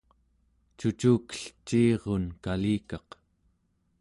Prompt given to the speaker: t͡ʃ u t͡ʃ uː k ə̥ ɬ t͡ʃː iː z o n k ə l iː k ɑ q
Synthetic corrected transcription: t͡ʃ u t͡ʃ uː k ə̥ ɬ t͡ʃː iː ʁ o n k a l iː k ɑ q